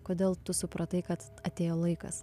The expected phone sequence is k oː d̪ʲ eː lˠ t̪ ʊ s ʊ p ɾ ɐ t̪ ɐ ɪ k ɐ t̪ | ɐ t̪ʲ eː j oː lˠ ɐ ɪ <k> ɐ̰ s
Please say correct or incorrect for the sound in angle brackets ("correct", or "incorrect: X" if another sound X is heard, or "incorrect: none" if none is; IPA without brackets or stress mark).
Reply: correct